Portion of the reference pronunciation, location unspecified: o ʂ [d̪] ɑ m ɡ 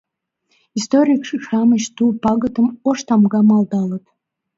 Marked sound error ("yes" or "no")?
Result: yes